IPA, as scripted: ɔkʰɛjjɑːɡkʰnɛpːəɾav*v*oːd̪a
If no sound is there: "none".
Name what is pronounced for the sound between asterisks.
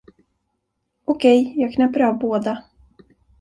b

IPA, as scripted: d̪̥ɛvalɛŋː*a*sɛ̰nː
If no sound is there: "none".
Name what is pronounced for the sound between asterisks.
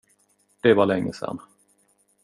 ə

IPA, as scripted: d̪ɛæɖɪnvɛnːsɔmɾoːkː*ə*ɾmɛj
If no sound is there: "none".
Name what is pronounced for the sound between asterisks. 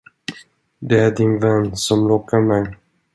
a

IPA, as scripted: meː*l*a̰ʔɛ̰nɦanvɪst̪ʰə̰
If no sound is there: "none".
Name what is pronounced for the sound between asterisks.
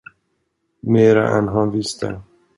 ɾ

